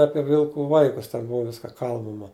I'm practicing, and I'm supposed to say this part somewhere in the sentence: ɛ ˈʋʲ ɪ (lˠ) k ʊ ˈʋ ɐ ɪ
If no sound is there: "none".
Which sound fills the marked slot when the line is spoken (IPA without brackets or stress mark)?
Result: lˠ